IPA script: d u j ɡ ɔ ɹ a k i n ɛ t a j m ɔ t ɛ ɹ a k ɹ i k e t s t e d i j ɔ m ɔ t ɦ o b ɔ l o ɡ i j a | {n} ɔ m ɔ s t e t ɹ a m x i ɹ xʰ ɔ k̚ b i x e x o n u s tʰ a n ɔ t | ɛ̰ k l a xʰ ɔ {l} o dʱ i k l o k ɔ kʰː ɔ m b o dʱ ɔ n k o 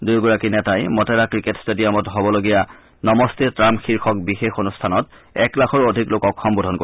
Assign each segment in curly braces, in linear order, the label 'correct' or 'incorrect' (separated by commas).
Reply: correct, incorrect